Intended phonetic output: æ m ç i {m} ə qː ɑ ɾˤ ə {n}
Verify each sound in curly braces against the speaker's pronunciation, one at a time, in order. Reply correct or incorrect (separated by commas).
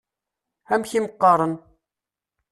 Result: correct, correct